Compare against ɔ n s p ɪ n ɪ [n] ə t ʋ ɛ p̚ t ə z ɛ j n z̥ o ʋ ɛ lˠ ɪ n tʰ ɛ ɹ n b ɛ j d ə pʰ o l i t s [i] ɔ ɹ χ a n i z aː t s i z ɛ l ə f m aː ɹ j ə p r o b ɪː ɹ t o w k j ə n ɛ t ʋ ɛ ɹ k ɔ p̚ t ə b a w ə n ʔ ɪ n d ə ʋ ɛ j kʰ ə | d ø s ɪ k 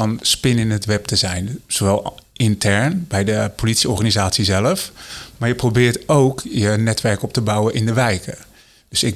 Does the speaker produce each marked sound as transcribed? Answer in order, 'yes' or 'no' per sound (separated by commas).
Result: yes, yes